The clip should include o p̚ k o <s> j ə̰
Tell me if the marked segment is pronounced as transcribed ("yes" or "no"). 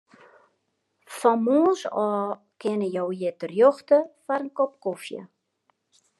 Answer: no